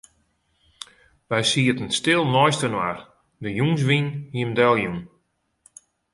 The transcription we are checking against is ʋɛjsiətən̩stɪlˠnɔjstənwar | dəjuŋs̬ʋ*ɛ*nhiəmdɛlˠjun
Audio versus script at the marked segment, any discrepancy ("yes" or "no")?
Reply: yes